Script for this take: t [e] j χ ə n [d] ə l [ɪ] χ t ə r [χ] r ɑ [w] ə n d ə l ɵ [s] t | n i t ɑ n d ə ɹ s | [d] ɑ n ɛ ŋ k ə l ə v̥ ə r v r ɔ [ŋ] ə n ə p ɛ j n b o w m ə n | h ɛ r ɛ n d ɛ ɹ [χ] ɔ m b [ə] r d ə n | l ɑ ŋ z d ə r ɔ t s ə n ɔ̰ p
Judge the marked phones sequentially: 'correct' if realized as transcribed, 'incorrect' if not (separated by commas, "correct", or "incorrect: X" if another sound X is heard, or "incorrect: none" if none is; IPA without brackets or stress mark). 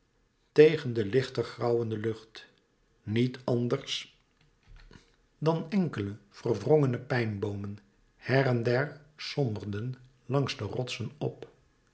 correct, correct, correct, correct, correct, incorrect: χ, correct, correct, incorrect: s, correct